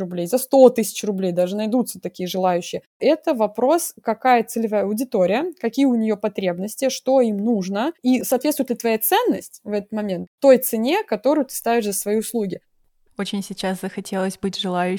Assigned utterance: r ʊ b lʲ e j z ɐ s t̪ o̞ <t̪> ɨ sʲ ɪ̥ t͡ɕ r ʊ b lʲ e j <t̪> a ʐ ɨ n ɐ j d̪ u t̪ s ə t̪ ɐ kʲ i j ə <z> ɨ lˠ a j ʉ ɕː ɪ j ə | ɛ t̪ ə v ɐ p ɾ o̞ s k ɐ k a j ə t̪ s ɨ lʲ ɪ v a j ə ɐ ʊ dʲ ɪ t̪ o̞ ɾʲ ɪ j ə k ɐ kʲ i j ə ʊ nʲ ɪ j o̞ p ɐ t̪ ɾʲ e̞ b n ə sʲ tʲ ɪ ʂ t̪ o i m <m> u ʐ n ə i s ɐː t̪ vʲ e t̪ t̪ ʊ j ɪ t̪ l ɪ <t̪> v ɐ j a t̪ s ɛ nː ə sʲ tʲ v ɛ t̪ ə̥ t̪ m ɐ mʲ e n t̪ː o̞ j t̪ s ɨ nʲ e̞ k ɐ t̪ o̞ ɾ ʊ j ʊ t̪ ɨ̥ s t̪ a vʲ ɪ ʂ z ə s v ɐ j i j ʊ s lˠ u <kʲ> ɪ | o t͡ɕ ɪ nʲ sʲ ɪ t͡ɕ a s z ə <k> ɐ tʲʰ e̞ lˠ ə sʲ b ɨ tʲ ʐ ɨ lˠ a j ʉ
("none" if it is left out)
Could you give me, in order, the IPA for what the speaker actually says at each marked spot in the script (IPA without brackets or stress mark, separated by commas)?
t̪, d̪, ʐ, n, t̪, ɡʲ, x